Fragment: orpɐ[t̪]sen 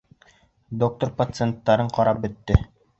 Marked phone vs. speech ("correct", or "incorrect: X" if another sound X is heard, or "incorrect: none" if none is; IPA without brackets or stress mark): correct